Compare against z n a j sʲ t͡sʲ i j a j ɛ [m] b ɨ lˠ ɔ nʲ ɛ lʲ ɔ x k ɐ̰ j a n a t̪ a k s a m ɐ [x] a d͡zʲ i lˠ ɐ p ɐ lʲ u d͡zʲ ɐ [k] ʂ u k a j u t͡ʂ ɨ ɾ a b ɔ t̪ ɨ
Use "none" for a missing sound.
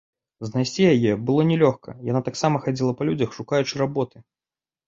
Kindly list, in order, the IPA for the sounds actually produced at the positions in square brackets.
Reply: none, x, x

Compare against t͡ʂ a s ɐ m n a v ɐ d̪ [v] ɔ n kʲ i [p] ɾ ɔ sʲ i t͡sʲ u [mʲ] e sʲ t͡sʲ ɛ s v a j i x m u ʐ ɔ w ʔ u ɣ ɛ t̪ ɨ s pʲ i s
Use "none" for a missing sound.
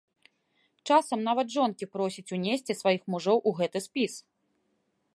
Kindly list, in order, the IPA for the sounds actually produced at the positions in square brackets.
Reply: ʐ, p, nʲ

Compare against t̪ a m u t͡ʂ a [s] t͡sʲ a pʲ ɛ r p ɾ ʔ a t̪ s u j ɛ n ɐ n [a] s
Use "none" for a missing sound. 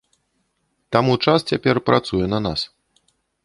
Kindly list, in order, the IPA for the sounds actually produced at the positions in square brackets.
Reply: s, a

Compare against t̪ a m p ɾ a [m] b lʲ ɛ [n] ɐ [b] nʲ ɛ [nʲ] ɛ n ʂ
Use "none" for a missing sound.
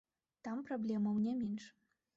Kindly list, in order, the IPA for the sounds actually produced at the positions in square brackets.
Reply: none, m, w, mʲ

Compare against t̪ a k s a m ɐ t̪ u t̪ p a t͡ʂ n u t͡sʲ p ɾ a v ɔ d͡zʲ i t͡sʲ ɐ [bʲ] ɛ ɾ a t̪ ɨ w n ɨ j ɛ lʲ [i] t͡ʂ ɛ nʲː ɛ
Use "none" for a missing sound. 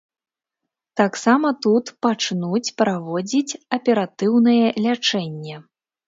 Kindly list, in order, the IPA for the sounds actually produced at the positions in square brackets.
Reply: pʲ, a

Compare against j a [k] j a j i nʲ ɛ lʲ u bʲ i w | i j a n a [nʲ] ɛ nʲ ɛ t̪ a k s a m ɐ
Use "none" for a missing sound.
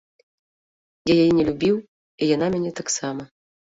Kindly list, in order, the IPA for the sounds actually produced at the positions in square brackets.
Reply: none, mʲ

